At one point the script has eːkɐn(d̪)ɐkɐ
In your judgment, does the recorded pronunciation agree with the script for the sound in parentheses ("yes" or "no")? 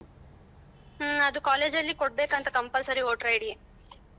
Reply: no